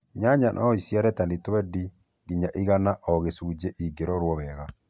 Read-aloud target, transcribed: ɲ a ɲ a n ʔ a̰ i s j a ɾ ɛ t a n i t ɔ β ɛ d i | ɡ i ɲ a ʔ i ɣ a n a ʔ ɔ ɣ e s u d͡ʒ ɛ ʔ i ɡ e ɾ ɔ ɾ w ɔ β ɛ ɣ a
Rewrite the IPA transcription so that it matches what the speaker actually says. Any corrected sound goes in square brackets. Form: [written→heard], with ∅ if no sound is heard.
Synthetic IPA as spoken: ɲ a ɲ a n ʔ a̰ i s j a ɾ ɛ t a n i t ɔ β ɛ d i | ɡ i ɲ a ʔ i ɣ a n a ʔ ɔ ɣ e s u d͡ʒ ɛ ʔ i ɡ e ɾ ɔ ɾ w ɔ β ɛ ɣ a